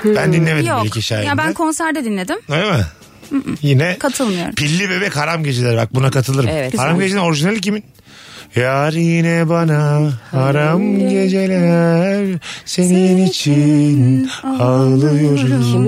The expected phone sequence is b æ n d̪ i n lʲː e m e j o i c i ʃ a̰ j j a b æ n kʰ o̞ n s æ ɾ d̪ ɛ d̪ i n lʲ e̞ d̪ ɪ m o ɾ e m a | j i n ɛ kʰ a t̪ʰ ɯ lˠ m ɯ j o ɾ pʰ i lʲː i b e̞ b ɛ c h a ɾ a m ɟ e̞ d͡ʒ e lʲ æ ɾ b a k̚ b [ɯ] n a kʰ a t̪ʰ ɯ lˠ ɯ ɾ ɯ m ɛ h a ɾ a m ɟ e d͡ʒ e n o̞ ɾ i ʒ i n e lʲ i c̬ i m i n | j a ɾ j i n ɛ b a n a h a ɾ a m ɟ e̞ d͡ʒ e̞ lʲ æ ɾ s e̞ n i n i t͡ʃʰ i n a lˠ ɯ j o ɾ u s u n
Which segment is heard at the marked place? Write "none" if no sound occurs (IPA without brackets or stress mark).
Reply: u